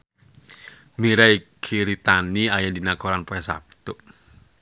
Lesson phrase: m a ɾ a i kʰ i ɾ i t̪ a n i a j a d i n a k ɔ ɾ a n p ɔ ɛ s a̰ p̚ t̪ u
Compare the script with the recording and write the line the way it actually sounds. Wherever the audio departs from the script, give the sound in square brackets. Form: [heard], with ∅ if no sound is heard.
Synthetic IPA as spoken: m [i] ɾ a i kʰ i ɾ i t̪ a n i a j a d i n a k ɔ ɾ a n p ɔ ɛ s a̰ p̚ t̪ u